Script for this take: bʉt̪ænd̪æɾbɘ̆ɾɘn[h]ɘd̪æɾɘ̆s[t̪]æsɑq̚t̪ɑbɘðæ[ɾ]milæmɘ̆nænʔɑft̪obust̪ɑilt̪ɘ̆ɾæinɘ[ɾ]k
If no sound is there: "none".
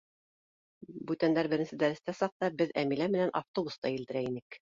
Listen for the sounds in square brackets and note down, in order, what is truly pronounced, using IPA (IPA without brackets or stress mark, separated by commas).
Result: s, t̪, none, none